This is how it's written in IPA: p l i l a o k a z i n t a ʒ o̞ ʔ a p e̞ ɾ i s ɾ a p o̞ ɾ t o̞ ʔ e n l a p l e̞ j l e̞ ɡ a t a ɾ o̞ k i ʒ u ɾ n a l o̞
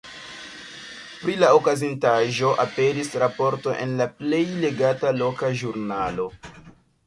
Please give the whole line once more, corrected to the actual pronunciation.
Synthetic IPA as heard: p ɾ i l a o k a z i n t a ʒ o̞ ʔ a p e̞ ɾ i s ɾ a p o̞ ɾ t o̞ ʔ e n l a p l e̞ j l e̞ ɡ a t a l o̞ k a ʒ u ɾ n a l o̞